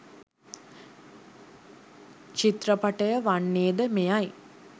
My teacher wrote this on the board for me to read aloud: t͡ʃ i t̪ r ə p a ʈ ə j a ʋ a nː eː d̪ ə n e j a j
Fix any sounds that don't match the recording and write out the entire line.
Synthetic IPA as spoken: t͡ʃ i t̪ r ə p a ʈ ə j ə ʋ a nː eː d̪ ə m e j a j